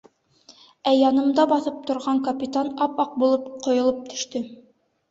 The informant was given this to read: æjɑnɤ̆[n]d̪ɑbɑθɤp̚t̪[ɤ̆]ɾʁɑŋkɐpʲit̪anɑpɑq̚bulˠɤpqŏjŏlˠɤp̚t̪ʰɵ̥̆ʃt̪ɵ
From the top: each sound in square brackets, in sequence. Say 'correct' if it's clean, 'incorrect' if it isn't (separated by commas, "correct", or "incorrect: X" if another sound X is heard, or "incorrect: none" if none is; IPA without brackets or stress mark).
incorrect: m, incorrect: ŏ